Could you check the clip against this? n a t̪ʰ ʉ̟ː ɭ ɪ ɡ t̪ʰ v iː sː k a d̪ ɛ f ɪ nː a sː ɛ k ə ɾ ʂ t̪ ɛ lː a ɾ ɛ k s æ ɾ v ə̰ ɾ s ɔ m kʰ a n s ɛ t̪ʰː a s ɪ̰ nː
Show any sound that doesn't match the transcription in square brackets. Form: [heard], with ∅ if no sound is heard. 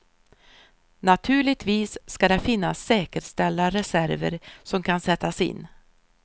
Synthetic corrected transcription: n a t̪ʰ ʉ̟ː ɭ ɪ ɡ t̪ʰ v iː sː k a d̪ ɛ f ɪ nː a sː [ɛː] k ə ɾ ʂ t̪ ɛ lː a ɾ ɛ [∅] s æ ɾ v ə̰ ɾ s ɔ m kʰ a n s ɛ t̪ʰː a s ɪ̰ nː